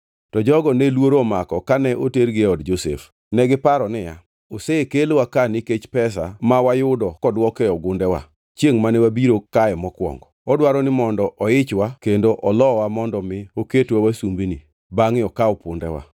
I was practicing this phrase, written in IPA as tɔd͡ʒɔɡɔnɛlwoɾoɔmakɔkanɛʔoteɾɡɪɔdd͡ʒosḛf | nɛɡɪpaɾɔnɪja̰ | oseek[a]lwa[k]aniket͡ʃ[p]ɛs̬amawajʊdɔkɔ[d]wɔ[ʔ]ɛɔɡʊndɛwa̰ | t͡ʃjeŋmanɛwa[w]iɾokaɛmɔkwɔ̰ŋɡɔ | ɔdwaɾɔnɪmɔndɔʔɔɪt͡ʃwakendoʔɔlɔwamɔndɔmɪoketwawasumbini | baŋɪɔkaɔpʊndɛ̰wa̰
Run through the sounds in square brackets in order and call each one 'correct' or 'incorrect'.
incorrect: e, correct, correct, correct, incorrect: k, incorrect: b

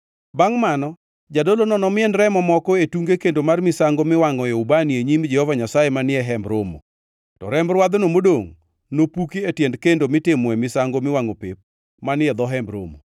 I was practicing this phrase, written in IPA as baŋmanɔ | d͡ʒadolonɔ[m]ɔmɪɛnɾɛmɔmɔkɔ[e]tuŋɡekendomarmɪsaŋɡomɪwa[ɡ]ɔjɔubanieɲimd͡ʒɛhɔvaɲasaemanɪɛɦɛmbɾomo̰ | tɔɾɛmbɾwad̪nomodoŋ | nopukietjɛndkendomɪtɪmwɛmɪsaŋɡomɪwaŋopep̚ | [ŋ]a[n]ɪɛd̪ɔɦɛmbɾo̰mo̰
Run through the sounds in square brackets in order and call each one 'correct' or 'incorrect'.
incorrect: n, correct, incorrect: ŋ, incorrect: m, correct

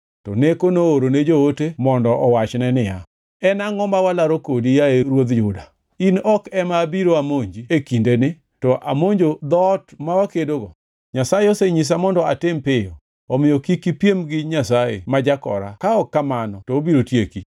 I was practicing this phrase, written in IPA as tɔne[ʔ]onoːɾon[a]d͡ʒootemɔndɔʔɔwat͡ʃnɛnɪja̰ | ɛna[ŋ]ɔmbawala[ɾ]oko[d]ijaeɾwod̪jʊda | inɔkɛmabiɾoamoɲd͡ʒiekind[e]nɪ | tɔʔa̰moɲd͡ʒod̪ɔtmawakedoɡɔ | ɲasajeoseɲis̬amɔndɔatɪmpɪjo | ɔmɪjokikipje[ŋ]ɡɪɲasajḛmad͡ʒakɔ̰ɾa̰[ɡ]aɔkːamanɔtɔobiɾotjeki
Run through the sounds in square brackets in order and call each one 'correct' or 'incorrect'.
incorrect: k, incorrect: e, correct, correct, correct, correct, incorrect: m, incorrect: k

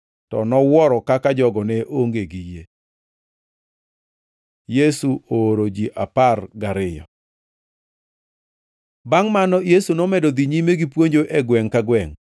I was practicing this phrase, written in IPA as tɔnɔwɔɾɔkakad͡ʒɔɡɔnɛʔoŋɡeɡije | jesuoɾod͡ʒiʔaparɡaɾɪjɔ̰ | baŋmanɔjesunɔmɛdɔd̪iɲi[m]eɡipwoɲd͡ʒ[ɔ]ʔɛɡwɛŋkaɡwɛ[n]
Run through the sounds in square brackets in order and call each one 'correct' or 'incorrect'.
correct, incorrect: o, incorrect: ŋ

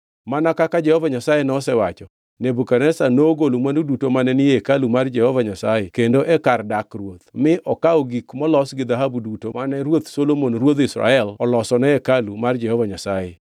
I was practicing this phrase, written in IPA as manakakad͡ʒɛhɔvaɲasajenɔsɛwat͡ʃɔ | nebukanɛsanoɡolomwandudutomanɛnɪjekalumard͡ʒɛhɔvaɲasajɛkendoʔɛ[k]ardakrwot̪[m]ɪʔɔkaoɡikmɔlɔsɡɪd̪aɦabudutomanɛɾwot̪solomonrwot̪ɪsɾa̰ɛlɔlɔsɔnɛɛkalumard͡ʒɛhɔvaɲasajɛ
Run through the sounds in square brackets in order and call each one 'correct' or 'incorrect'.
correct, correct

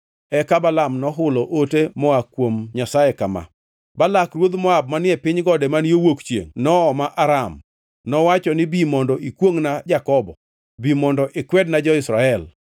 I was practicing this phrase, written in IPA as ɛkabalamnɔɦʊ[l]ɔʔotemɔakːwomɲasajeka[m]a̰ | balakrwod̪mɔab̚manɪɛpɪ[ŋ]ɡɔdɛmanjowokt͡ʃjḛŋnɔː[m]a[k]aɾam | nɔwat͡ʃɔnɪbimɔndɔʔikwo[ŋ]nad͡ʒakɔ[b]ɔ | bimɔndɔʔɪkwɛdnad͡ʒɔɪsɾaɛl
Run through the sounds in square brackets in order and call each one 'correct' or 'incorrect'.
correct, correct, incorrect: ɲ, correct, incorrect: ʔ, correct, correct

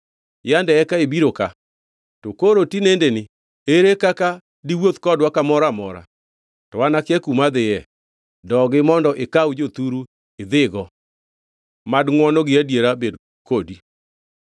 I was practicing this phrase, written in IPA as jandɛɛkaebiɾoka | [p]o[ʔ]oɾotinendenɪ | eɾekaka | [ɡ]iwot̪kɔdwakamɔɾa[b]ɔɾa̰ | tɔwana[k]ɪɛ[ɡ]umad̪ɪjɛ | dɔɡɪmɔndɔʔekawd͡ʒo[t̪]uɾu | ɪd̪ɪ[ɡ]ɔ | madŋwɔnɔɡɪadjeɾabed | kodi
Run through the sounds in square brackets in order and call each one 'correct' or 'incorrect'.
incorrect: t, incorrect: k, incorrect: d, incorrect: m, correct, incorrect: k, correct, correct

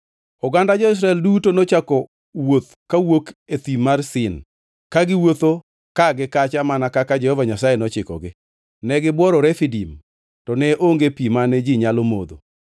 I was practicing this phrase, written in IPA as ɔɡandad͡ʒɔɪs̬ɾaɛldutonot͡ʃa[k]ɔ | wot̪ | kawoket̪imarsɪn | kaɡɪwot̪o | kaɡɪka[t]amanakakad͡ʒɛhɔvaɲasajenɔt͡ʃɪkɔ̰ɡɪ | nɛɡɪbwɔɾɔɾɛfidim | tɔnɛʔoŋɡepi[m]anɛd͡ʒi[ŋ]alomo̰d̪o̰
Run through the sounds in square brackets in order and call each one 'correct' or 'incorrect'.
correct, incorrect: t͡ʃ, correct, incorrect: ɲ

